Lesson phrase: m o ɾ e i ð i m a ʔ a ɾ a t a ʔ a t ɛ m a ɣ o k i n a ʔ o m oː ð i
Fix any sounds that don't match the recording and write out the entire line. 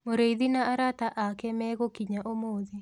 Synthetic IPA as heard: m o ɾ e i ð i n a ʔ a ɾ a t a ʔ a k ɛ m ɛ ɣ o k i ɲ a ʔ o m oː ð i